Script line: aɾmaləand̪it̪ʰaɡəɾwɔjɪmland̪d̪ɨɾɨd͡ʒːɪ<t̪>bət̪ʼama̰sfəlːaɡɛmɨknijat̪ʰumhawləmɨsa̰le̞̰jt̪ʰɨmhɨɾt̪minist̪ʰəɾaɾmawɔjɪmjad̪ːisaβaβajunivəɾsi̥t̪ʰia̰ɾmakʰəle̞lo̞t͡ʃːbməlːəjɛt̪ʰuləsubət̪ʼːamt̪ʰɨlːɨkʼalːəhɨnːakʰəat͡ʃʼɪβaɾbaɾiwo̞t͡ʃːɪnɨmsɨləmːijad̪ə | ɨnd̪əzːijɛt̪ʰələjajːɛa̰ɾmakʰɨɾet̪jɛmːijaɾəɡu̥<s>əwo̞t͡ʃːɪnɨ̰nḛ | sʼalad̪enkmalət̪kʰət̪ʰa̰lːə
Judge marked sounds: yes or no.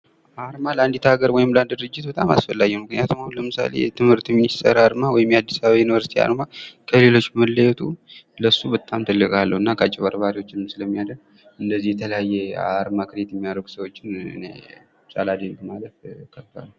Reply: yes, yes

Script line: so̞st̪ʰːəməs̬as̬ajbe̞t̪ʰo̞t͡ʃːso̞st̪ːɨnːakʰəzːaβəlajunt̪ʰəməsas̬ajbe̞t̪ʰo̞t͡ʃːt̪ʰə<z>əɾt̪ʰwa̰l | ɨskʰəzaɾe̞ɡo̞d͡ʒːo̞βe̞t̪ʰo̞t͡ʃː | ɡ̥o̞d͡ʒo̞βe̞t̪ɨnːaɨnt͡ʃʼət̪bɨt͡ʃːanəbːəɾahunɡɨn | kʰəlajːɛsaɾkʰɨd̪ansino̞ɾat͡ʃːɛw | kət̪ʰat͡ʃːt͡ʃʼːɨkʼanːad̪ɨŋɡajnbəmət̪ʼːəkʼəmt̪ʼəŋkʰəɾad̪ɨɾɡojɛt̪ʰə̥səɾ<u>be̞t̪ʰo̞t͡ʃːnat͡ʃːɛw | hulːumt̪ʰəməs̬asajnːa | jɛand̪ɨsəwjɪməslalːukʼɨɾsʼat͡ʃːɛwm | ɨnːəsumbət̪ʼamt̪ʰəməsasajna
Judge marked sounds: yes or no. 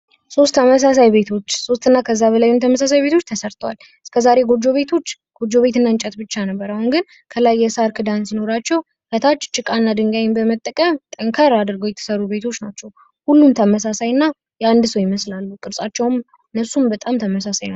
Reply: no, yes

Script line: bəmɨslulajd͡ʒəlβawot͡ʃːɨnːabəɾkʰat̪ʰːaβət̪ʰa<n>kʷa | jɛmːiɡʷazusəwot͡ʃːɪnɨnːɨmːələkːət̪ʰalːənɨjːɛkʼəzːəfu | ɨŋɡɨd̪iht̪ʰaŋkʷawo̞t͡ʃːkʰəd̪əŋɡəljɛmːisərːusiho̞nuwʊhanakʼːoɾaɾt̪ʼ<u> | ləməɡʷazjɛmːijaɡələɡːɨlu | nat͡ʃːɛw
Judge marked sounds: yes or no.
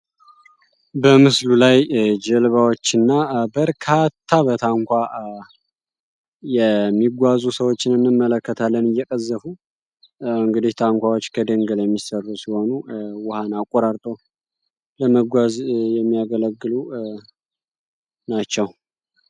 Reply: no, no

